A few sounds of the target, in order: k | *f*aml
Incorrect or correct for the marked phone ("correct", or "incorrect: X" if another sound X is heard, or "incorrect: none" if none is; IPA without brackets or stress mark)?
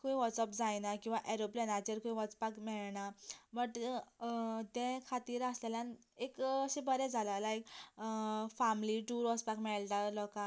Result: correct